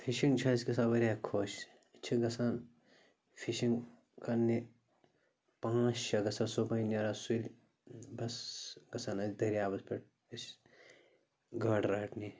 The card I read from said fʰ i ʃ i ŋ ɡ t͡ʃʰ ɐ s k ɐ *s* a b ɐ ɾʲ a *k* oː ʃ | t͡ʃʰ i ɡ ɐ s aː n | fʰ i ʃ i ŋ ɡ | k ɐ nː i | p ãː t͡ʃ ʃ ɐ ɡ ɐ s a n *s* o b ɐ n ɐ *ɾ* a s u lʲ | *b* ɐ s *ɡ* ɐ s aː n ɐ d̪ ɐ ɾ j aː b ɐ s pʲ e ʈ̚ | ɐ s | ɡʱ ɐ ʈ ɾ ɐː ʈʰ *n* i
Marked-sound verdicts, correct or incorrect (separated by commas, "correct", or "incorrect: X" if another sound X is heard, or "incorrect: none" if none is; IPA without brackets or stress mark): correct, incorrect: kʰ, correct, correct, correct, correct, correct